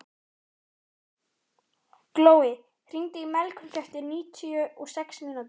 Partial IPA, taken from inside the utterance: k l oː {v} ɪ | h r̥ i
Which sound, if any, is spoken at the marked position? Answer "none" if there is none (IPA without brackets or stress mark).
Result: w